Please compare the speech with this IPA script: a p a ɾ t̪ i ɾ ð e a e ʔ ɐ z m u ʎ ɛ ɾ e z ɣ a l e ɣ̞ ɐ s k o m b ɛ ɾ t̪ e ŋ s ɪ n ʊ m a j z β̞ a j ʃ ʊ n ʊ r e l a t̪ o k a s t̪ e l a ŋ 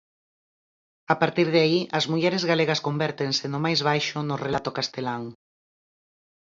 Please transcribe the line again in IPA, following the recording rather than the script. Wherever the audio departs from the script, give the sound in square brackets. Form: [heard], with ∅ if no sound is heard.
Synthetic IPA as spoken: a p a ɾ t̪ i ɾ ð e a [i] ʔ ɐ z m u ʎ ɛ ɾ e z ɣ a l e ɣ̞ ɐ s k o m b ɛ ɾ t̪ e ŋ s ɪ n ʊ m a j z β̞ a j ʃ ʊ n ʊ r e l a t̪ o k a s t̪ e l a ŋ